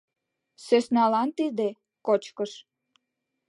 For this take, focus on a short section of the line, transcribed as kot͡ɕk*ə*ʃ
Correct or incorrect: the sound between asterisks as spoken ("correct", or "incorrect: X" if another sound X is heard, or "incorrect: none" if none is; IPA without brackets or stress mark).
correct